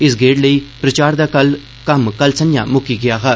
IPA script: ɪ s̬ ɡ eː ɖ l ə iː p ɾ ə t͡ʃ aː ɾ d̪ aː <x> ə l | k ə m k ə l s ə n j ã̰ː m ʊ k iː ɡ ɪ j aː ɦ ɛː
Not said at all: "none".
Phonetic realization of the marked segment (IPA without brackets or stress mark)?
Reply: k